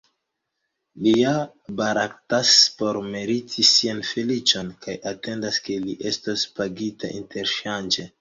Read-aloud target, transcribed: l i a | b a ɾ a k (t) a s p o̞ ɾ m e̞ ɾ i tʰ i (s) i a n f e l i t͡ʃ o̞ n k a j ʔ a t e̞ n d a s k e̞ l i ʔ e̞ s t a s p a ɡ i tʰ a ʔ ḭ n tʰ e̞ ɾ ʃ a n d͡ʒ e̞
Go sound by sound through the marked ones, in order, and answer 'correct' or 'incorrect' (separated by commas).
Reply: correct, correct